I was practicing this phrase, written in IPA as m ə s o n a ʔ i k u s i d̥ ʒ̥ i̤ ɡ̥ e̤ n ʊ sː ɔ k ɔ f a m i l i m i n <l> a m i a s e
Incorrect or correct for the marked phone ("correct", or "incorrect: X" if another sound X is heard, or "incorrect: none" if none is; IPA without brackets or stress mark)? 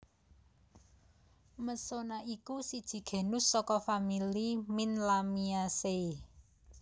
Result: correct